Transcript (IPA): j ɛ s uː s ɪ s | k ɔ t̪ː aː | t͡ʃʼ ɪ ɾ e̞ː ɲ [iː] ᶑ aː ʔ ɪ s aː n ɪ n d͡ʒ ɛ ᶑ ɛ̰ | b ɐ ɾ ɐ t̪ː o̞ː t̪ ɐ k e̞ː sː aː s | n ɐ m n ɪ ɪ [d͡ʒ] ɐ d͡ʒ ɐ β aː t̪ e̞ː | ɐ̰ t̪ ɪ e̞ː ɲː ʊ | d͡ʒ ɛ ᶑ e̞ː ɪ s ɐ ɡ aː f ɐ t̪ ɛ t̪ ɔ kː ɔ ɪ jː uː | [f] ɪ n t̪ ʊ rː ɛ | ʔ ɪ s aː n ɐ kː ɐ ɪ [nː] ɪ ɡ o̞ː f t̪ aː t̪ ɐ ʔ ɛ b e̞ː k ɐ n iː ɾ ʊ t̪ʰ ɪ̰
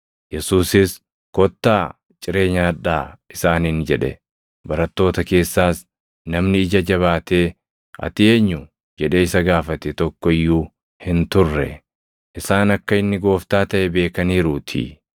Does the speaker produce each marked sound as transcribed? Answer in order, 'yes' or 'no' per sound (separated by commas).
no, yes, no, yes